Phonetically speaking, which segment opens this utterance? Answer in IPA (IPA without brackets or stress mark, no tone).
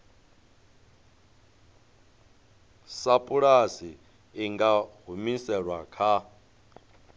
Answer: s